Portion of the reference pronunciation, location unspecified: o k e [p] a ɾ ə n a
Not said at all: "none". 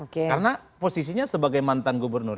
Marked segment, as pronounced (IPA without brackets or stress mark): k